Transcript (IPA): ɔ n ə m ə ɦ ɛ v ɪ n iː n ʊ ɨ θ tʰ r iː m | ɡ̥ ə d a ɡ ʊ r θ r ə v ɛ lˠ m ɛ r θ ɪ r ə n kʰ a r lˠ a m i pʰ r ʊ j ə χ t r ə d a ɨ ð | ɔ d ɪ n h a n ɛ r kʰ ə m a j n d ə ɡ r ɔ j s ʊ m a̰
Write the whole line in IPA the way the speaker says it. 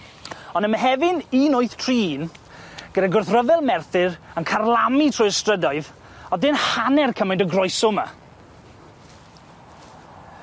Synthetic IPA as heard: ɔ n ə m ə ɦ ɛ v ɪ n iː n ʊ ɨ θ tʰ r iː n | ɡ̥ ə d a ɡ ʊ r θ r ə v ɛ lˠ m ɛ r θ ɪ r ə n kʰ a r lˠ a m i tʰ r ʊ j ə s t r ə d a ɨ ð | ɔ d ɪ n h a n ɛ r kʰ ə m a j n d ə ɡ r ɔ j s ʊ m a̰